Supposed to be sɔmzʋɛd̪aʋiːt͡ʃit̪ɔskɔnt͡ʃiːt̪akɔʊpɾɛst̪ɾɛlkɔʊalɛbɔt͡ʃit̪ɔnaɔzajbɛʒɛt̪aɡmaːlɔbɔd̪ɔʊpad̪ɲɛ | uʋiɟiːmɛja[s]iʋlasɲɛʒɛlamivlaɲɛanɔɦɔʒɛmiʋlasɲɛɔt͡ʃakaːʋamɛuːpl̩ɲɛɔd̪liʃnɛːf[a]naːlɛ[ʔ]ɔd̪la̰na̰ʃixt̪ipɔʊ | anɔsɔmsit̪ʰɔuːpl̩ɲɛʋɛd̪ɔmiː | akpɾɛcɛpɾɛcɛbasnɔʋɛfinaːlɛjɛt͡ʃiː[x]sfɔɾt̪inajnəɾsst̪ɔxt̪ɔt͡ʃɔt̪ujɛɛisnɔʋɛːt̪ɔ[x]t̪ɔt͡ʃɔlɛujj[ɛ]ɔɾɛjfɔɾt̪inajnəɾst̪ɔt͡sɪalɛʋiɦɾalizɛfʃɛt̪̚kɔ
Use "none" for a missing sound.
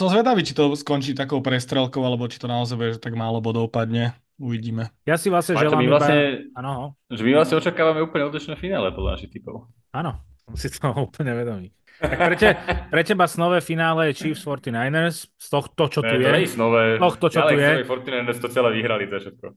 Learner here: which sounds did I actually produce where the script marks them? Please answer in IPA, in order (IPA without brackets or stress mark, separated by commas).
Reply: s, i, p, f, x, ɛ